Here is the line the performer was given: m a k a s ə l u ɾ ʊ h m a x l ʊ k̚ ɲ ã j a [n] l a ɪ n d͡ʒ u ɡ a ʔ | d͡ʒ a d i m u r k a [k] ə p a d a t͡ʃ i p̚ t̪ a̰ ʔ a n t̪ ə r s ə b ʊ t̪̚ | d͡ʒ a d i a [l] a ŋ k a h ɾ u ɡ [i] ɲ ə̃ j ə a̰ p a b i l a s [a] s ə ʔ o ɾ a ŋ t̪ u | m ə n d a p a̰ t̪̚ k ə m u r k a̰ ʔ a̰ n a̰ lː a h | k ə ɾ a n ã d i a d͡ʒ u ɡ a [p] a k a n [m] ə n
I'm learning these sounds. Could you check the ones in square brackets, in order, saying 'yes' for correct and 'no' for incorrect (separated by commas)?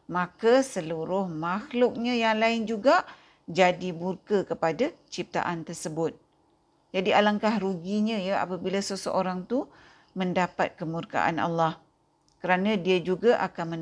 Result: no, yes, yes, yes, no, no, yes